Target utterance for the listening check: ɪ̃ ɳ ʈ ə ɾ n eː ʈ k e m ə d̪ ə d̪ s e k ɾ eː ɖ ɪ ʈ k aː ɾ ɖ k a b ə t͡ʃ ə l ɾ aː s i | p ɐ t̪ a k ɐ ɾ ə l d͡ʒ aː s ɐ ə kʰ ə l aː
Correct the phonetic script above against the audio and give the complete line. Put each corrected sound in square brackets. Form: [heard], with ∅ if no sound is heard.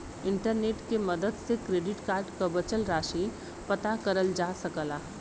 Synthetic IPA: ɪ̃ ɳ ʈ ə ɾ n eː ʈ k e m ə d̪ ə d̪ s e k ɾ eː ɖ ɪ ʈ k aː ɾ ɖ k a b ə t͡ʃ ə l ɾ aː [ʃ] i | p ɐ t̪ a k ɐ ɾ ə l d͡ʒ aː s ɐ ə [k] ə l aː